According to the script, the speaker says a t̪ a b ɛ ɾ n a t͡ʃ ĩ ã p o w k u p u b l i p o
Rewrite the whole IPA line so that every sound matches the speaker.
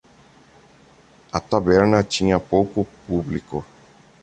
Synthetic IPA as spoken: a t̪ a b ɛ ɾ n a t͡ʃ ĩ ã p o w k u p u b l i k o